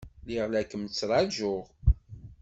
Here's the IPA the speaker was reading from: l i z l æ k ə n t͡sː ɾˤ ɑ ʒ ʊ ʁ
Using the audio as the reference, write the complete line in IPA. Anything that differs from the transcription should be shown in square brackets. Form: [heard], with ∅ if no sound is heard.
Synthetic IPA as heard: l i [ʁ] l æ k ə [m] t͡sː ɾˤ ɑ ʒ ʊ ʁ